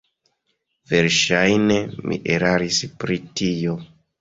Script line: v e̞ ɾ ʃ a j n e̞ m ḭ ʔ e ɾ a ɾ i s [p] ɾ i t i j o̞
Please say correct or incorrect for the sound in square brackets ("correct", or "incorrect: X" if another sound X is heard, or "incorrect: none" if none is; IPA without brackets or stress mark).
correct